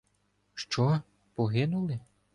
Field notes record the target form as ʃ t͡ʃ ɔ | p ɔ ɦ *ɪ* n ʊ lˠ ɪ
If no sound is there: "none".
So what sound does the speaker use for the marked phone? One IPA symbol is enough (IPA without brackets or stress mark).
ɪ